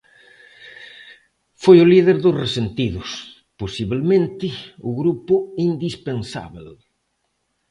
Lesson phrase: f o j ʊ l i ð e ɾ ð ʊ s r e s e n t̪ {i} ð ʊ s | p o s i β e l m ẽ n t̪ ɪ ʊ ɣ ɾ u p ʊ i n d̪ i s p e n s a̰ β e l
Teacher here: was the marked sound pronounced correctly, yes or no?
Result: yes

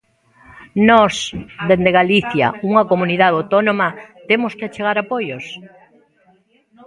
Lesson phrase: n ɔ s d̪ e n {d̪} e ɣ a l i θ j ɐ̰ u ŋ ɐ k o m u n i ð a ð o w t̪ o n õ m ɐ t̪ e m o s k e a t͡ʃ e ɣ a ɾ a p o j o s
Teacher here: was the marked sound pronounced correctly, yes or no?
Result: yes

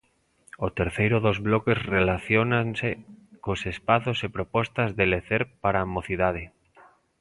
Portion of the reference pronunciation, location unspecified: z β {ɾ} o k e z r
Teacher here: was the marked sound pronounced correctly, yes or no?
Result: no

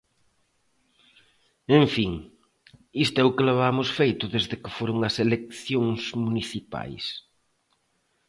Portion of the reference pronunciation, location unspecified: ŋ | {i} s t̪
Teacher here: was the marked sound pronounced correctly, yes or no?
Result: yes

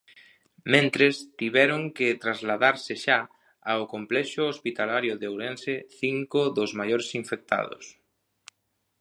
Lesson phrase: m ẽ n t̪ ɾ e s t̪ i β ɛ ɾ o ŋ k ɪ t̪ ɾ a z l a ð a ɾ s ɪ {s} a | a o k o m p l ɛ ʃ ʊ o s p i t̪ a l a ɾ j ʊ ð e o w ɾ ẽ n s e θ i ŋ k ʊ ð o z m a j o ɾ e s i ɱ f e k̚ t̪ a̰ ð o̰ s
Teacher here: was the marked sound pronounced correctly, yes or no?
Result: no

